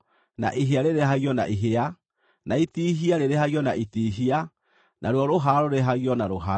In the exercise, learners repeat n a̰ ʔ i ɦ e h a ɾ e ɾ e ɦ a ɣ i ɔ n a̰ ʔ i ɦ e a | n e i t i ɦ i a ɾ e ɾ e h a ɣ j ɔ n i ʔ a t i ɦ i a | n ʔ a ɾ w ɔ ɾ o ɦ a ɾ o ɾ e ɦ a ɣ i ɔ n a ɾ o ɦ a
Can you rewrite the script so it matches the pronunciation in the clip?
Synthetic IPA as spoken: n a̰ ʔ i ɦ e a ɾ e ɾ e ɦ a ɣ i ɔ n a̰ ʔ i ɦ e a | n a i t i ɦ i a ɾ e ɾ e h a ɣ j ɔ n a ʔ i t i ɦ i a | n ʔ a ɾ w ɔ ɾ o ɦ a ɾ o ɾ e ɦ a ɣ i ɔ n a ɾ o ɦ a